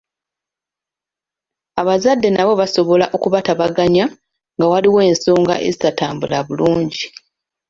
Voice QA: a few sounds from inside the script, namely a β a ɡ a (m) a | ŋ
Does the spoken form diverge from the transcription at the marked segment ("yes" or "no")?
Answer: yes